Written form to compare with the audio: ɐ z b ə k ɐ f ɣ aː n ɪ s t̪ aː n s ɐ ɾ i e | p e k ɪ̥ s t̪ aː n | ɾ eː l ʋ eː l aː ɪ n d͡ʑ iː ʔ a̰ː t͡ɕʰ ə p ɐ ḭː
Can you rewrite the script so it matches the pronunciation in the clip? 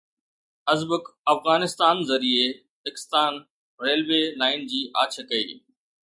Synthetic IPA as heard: ɐ z b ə k ɐ f ɣ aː n ɪ s t̪ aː n z ɐ ɾ i e | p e k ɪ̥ s t̪ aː n | ɾ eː l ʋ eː l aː ɪ n d͡ʑ iː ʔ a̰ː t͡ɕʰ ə k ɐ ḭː